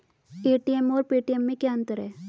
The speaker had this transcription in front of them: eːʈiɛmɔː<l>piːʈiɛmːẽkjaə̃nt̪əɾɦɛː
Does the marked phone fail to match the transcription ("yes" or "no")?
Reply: yes